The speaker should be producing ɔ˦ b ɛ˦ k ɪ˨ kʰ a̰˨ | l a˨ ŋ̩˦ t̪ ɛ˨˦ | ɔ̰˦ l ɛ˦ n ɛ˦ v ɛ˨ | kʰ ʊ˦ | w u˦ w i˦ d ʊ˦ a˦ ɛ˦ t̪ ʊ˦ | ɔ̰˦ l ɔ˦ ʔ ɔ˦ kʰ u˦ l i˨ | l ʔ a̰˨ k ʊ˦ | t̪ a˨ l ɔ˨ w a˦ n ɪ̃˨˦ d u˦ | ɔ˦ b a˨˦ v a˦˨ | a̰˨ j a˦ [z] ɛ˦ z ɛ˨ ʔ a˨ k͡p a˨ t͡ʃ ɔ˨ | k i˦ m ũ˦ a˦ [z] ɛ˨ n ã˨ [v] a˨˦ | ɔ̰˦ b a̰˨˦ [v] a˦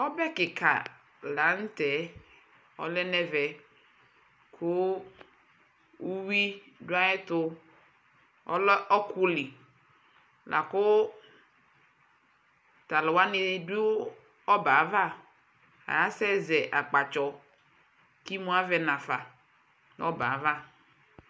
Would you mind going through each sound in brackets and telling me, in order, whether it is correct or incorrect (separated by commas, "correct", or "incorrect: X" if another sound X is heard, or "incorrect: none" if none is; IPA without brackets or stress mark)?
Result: incorrect: s, incorrect: v, incorrect: f, correct